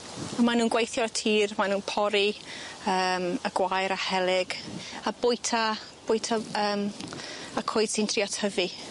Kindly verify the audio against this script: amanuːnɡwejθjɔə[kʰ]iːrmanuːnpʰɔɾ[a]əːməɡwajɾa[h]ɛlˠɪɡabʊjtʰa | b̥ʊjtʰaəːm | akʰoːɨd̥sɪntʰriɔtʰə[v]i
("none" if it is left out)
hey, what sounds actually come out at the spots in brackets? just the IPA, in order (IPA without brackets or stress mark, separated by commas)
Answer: tʰ, i, h, v